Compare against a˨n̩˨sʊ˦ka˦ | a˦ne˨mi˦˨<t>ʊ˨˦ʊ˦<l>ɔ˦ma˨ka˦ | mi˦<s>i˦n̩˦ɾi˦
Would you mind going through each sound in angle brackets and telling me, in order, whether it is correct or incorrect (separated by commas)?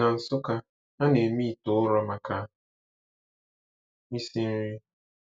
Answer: correct, incorrect, correct